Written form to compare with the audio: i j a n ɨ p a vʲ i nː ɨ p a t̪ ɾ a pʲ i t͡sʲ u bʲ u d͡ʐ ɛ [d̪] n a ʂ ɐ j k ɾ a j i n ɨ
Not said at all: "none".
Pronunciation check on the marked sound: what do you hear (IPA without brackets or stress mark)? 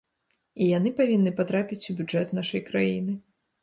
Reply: t̪